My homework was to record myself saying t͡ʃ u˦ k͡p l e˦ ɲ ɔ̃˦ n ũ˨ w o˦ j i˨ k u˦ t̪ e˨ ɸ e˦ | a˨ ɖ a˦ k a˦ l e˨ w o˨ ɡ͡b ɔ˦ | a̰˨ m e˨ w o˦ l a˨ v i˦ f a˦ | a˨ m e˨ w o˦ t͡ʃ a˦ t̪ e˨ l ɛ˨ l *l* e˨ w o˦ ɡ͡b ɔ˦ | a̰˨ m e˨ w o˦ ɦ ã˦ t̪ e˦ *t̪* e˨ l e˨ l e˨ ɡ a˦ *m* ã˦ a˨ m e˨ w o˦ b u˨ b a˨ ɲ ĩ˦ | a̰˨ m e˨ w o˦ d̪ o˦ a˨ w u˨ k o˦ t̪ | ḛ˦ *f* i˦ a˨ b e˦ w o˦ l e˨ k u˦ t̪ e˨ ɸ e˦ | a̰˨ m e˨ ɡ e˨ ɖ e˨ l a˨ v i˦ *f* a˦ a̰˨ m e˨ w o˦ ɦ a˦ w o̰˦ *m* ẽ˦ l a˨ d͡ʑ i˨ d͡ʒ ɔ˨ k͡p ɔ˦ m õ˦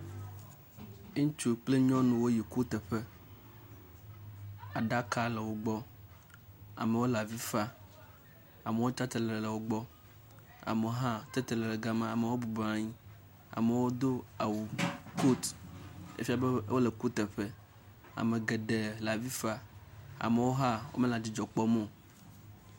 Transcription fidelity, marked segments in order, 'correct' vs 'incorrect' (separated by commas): correct, correct, correct, correct, correct, correct